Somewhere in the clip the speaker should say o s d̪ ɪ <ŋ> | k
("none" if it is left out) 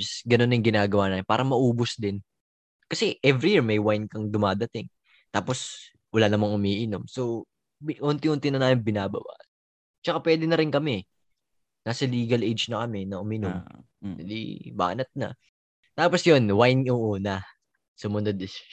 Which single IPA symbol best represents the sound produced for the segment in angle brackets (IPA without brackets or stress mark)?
n